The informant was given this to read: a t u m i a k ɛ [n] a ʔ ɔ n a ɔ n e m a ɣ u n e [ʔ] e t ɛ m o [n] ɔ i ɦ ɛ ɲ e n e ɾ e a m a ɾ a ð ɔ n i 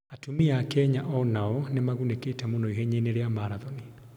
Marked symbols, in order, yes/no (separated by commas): no, no, yes